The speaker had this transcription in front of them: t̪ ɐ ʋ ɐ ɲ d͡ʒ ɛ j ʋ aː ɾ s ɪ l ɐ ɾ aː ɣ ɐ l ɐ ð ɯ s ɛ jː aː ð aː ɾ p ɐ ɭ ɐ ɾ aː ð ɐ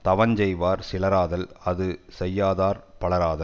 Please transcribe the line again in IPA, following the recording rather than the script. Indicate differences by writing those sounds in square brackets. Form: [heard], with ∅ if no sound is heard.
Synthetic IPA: t̪ ɐ ʋ ɐ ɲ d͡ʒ ɛ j ʋ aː ɾ s ɪ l ɐ ɾ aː [ð] ɐ l ɐ ð ɯ s ɛ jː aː ð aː ɾ p ɐ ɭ ɐ ɾ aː ð ɐ